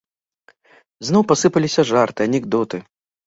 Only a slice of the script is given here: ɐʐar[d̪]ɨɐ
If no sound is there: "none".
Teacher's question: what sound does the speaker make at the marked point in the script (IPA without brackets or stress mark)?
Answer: t̪